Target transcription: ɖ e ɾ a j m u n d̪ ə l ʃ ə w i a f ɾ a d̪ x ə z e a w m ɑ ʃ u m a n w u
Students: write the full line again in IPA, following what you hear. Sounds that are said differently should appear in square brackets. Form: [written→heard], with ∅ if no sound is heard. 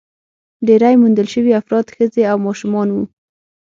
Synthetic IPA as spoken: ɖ e ɾ a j m u n d̪ ə l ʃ ə w i a f ɾ [a→ɑ] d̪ x ə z e a w m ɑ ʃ u m [a→ɑ] n w u